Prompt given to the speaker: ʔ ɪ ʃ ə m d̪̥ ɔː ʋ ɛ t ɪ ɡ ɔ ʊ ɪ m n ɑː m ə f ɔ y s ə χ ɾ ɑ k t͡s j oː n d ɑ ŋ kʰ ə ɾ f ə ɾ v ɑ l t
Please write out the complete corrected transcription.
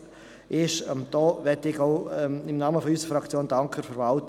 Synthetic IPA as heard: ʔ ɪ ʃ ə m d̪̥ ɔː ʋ ɛ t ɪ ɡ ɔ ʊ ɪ m n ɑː m ə f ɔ y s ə f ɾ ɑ k t͡s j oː n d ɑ ŋ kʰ ə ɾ f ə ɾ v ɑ l t